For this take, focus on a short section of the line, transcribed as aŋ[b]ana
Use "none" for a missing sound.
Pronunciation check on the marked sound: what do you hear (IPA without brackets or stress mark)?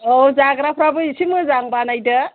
b